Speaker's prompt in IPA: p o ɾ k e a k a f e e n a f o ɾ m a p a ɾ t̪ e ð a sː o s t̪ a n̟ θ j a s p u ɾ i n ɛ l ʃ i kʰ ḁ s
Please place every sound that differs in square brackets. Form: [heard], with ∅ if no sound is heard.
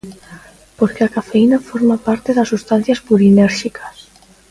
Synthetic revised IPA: p o ɾ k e a k a f e [i] n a f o ɾ m a p a ɾ t̪ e ð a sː [u] s t̪ a n̟ θ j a s p u ɾ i n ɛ [ɾ] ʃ i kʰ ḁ s